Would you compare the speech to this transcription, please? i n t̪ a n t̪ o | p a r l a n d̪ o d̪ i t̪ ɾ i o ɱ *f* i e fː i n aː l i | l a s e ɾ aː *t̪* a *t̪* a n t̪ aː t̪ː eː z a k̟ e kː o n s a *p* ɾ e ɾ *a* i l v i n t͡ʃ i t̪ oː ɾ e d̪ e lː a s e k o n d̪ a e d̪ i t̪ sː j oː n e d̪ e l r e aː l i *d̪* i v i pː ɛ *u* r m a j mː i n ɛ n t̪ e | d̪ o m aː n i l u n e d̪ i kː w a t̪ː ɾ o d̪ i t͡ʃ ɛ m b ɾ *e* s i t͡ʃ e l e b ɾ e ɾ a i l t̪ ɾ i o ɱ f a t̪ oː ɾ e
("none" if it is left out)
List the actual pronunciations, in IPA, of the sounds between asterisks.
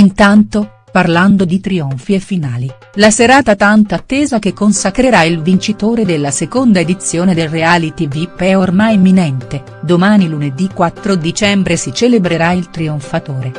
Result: f, t̪, t̪, k, a, t̪, o, e

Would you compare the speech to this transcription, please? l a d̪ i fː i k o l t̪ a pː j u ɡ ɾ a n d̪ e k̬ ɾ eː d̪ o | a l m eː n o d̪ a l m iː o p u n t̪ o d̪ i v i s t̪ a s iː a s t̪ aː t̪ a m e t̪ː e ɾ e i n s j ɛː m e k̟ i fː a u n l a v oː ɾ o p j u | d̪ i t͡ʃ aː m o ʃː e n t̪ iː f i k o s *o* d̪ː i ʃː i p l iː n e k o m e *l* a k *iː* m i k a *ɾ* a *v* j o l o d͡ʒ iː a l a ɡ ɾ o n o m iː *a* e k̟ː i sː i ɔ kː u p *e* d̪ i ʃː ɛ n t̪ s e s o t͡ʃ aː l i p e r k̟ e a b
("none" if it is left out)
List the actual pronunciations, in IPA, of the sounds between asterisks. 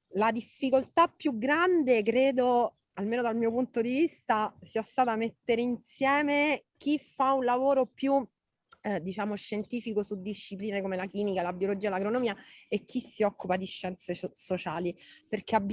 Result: u, l, iː, l, b, a, a

